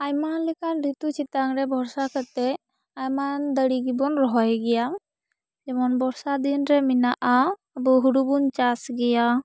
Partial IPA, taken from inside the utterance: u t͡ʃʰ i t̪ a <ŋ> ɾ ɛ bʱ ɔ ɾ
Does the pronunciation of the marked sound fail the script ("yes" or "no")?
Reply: no